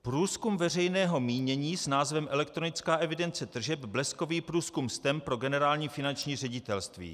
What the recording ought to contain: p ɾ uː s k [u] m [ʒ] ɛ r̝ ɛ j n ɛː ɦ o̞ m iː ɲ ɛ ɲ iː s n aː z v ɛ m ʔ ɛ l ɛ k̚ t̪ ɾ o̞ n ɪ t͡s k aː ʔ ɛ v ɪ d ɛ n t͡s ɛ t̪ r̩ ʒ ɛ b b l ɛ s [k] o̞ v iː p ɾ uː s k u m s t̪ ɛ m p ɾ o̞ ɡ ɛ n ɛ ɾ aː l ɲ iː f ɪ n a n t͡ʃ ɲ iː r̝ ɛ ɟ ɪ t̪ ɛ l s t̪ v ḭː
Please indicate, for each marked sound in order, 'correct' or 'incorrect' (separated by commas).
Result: correct, incorrect, correct